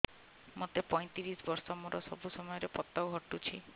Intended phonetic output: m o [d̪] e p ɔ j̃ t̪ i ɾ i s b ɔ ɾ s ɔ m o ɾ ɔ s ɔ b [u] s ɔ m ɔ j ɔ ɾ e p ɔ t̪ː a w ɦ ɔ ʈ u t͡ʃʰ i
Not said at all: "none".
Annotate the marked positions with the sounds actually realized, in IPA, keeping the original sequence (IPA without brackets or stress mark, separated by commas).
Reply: t̪, u